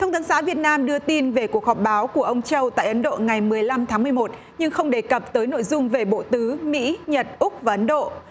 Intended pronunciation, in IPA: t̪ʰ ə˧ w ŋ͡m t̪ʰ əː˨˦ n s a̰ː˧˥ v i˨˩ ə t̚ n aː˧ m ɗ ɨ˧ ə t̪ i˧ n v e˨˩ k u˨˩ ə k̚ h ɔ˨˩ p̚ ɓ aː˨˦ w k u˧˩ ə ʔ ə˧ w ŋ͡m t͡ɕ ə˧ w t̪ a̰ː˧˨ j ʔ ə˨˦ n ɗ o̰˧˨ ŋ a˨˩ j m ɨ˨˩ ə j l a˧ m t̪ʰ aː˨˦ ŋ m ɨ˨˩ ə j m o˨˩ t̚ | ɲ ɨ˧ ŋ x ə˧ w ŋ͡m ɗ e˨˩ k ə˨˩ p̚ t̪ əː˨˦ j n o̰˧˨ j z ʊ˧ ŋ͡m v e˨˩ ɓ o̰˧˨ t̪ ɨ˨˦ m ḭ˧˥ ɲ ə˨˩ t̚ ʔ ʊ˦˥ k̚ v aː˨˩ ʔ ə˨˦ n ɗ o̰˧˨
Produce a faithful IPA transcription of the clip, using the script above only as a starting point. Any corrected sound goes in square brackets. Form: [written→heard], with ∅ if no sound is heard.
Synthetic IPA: t̪ʰ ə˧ w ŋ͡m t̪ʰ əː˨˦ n s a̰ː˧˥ v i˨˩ ə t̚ n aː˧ m ɗ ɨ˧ ə t̪ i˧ n v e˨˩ k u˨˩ ə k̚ h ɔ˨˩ p̚ ɓ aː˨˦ w k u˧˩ ə ʔ ə˧ w ŋ͡m t͡ɕ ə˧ w t̪ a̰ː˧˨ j ʔ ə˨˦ n ɗ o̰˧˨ ŋ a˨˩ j m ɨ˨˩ ə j l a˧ m t̪ʰ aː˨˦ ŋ m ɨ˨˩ ə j m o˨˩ t̚ | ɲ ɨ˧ ŋ x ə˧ w ŋ͡m ɗ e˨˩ k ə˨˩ p̚ t̪ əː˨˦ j n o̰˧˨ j z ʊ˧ ŋ͡m v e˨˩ ɓ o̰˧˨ t̪ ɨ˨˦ m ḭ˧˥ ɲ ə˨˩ t̚ ʔ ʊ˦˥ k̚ v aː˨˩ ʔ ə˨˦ n ɗ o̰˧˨

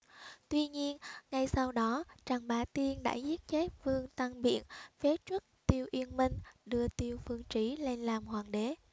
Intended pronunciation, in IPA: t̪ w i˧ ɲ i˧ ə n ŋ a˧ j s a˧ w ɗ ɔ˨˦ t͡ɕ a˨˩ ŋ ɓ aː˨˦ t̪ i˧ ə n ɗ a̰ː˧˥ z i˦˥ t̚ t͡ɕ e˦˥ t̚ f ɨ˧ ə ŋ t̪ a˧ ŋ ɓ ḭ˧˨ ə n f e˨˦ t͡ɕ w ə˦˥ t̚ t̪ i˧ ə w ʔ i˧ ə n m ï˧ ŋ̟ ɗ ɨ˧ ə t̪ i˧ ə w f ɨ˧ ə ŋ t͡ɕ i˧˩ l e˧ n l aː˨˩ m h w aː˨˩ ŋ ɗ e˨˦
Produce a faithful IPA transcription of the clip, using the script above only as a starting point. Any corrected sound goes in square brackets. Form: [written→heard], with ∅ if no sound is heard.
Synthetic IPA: t̪ w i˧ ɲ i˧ ə n ŋ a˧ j s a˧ w ɗ ɔ˨˦ t͡ɕ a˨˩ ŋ ɓ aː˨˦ t̪ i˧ ə n ɗ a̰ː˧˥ z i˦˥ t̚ t͡ɕ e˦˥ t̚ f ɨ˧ ə ŋ t̪ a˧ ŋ ɓ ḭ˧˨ ə n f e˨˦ t͡ɕ w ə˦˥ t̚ t̪ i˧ ə w ʔ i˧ ə n m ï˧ ŋ̟ ɗ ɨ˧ ə t̪ i˧ ə w f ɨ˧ ə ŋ t͡ɕ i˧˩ l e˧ n l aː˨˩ m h w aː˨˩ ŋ ɗ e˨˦

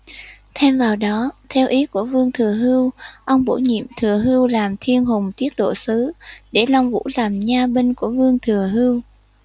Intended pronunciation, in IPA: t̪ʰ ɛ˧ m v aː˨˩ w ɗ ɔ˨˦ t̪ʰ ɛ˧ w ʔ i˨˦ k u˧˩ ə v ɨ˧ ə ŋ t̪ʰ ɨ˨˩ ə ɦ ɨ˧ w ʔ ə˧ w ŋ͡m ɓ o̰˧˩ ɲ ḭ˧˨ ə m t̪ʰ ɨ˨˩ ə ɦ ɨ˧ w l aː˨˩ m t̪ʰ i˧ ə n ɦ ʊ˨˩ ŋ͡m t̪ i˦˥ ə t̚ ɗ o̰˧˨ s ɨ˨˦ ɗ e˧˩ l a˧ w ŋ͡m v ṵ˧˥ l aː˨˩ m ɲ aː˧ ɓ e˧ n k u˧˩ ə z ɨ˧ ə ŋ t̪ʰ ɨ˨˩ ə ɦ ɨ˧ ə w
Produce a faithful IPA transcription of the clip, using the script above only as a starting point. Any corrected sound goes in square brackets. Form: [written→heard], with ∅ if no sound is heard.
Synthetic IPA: t̪ʰ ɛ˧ m v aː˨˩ w ɗ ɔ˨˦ t̪ʰ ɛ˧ w ʔ i˨˦ k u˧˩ ə v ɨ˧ ə ŋ t̪ʰ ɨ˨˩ ə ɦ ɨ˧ w ʔ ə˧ w ŋ͡m ɓ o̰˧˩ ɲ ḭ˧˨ ə m t̪ʰ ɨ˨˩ ə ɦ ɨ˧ w l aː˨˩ m t̪ʰ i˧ ə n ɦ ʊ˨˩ ŋ͡m t̪ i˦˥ ə t̚ ɗ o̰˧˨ s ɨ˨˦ ɗ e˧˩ l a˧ w ŋ͡m v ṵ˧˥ l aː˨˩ m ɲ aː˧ ɓ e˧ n k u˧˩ ə [z→v] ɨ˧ ə ŋ t̪ʰ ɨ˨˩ ə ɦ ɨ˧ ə w

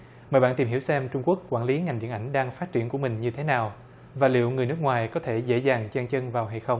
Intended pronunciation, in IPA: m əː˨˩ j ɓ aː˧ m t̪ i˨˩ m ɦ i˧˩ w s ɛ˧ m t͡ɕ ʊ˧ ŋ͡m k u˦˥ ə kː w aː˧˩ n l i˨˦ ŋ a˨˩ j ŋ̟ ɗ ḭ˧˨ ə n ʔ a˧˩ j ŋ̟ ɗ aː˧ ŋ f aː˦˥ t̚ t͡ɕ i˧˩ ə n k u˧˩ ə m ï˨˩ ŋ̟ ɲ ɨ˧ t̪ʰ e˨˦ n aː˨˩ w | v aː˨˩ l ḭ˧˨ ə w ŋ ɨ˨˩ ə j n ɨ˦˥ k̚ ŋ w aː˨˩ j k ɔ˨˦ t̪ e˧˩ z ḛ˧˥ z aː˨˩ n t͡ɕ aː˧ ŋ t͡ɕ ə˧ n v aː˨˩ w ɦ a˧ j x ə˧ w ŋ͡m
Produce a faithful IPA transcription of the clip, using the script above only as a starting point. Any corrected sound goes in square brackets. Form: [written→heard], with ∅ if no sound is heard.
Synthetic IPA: m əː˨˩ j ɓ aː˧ [m→n] t̪ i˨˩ m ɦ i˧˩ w s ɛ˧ m t͡ɕ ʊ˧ ŋ͡m k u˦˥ ə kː w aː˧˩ n l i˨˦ ŋ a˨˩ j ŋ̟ ɗ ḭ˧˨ ə n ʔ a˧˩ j ŋ̟ ɗ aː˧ ŋ f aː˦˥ t̚ t͡ɕ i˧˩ ə n k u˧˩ ə m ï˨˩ ŋ̟ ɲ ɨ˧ t̪ʰ e˨˦ n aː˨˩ w | v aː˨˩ l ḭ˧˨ ə w ŋ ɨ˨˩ ə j n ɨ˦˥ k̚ ŋ w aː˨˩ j k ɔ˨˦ [t̪→t̪ʰ] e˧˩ z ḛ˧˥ z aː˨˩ [n→ŋ] t͡ɕ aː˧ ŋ t͡ɕ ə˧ n v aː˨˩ w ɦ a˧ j x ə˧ w ŋ͡m

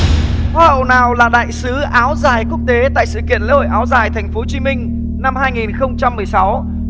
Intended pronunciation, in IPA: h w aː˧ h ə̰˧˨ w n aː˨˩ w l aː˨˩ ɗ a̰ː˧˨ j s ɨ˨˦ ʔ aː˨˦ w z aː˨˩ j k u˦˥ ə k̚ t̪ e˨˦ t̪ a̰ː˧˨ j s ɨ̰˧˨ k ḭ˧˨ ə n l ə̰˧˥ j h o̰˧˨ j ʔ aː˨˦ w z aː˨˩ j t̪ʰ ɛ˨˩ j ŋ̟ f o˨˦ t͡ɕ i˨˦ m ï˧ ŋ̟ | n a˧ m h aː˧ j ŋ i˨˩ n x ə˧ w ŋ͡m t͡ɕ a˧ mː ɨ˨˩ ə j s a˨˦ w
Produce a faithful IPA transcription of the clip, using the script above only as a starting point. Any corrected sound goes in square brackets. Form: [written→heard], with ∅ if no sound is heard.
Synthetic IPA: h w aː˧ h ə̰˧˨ w n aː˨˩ w l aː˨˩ ɗ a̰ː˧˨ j s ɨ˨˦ ʔ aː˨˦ w z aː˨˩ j k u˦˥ ə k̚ t̪ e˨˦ t̪ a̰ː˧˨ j s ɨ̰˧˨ k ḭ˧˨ ə n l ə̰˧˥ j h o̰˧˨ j ʔ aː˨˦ w z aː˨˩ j t̪ʰ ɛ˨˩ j ŋ̟ f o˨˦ t͡ɕ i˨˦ m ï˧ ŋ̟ | n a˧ m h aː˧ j ŋ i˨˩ n x ə˧ w ŋ͡m t͡ɕ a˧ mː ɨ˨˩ ə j s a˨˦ w

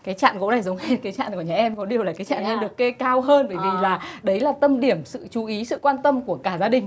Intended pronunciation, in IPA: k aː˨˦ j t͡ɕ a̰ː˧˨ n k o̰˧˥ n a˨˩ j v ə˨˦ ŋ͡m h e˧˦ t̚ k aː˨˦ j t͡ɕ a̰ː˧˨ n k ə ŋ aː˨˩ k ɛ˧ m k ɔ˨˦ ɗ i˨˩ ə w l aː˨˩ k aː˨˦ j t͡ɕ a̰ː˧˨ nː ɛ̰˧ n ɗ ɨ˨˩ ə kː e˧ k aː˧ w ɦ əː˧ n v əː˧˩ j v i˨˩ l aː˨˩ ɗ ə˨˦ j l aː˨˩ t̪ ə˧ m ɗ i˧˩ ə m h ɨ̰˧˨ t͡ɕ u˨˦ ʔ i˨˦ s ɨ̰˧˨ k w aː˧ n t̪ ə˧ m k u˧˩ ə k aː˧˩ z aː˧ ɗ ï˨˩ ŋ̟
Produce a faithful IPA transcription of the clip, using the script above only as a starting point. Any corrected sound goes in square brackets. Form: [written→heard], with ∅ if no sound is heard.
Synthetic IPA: k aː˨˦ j t͡ɕ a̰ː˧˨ n k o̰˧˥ n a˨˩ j [v→z] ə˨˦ ŋ͡m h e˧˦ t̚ k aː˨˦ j t͡ɕ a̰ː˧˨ n k ə [ŋ→ɲ] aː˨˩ [k→ʔ] ɛ˧ m k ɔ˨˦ ɗ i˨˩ ə w l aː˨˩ k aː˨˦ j t͡ɕ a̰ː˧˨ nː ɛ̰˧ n ɗ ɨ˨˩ ə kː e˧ k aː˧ w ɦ əː˧ n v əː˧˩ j v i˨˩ l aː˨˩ ɗ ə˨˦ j l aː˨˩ t̪ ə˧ m ɗ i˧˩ ə m [h→s] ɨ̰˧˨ t͡ɕ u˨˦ ʔ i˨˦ s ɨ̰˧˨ k w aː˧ n t̪ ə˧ m k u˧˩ ə k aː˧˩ z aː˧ ɗ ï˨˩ ŋ̟

